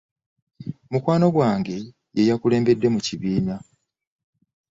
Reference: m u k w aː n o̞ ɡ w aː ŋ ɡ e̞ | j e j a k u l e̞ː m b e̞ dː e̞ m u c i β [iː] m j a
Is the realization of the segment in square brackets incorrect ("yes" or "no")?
no